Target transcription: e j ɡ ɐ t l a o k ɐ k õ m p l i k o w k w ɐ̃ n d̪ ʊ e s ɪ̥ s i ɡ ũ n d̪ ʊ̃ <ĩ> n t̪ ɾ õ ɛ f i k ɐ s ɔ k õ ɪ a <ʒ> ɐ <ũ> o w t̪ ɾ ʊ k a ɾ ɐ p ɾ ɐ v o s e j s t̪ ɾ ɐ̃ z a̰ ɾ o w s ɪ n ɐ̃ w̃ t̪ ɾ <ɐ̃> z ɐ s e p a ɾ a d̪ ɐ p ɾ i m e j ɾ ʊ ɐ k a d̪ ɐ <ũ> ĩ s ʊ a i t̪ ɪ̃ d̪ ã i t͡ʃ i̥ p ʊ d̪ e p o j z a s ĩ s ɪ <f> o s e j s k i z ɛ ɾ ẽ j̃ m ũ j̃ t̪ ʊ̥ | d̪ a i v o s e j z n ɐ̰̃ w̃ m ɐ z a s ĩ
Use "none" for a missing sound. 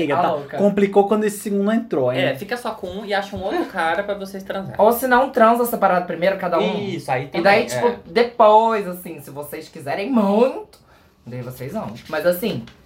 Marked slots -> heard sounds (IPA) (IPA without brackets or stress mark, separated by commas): ẽ, ʃ, ũ, ɐ̃, u, v